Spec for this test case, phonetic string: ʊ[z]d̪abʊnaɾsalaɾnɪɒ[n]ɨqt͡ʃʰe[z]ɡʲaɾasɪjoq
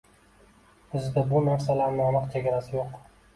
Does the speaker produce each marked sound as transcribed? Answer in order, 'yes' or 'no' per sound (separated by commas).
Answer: yes, yes, no